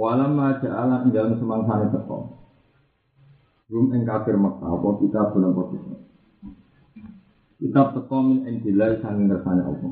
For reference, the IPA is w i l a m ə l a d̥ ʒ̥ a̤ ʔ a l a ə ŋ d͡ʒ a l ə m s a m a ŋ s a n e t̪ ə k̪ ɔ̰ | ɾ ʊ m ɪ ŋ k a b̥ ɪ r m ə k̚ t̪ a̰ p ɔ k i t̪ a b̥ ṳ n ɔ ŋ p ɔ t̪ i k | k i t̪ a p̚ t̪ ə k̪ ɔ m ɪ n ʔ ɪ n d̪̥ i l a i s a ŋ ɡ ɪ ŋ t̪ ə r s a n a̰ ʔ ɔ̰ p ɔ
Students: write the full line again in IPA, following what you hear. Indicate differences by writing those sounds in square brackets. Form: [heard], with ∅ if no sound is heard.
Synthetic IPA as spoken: w [a] l a m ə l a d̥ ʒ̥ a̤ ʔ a l a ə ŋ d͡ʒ a l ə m s [ə] m a ŋ s a n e t̪ ə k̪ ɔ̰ | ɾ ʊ m ɪ ŋ k a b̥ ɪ r m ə k̚ t̪ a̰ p ɔ k i t̪ a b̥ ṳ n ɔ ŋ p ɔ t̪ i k | k i t̪ a p̚ t̪ ə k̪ ɔ m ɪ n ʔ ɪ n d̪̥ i l a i s a ŋ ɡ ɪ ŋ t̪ ə r s a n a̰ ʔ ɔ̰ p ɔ